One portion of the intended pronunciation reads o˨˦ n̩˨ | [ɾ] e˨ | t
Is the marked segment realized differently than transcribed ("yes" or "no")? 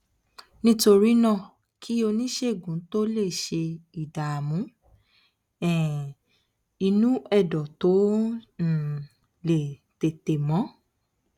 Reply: yes